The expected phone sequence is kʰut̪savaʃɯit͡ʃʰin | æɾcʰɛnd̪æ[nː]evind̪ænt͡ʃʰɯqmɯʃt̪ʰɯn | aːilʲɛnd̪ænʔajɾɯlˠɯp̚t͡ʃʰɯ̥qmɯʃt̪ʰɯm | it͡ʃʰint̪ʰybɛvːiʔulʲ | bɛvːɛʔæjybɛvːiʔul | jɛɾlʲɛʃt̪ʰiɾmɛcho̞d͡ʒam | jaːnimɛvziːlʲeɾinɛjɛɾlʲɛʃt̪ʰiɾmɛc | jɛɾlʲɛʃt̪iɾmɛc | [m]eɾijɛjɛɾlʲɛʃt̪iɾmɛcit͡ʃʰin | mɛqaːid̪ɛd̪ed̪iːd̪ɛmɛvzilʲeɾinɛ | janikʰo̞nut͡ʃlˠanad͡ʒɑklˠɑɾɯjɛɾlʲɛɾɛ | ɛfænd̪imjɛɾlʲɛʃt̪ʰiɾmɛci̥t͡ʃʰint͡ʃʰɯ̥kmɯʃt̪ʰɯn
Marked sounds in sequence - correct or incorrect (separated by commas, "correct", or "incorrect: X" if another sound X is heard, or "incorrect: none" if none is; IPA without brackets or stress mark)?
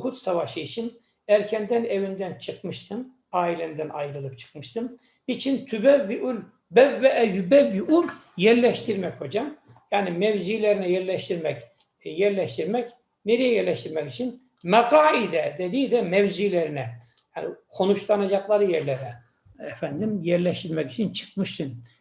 incorrect: n, incorrect: n